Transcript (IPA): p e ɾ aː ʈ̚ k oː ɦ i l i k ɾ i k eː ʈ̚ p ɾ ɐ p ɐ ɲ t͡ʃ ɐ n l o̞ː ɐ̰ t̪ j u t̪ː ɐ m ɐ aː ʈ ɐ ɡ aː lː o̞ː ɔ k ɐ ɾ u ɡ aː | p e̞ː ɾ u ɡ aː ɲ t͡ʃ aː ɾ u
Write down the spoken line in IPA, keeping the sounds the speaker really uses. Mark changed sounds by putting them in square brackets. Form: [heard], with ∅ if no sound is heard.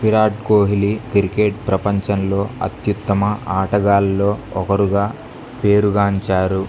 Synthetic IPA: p [i] ɾ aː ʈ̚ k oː ɦ i l i k ɾ i k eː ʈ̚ p ɾ ɐ p ɐ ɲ t͡ʃ ɐ n l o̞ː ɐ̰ t̪ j u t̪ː ɐ m ɐ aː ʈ ɐ ɡ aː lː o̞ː ɔ k ɐ ɾ u ɡ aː | p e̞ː ɾ u ɡ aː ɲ t͡ʃ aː ɾ u